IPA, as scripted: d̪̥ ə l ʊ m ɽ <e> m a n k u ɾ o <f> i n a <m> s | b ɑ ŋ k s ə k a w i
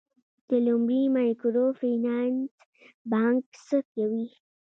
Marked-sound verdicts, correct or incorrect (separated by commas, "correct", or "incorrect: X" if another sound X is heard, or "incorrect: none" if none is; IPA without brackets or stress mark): incorrect: i, correct, incorrect: n